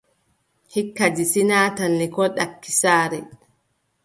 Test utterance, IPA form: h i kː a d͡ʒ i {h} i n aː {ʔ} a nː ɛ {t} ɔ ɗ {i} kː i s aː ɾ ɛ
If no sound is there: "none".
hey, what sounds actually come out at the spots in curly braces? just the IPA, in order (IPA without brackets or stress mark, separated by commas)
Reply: s, t, k, a